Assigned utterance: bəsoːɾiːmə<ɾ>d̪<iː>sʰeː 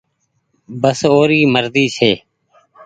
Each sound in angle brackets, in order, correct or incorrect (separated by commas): correct, correct